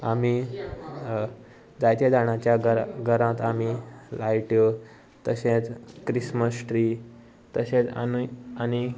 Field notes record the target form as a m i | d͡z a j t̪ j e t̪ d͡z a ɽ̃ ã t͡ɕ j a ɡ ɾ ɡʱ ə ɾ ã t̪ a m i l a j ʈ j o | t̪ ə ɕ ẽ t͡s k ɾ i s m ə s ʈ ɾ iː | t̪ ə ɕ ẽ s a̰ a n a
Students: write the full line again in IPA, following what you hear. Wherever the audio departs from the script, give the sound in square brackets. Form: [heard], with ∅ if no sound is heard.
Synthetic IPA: a m i | d͡z a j t̪ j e [∅] d͡z a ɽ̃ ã t͡ɕ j a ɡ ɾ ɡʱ ə ɾ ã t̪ a m i l a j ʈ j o | t̪ ə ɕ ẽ t͡s k ɾ i s m ə s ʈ ɾ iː | t̪ ə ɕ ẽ [t͡s] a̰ a n [i]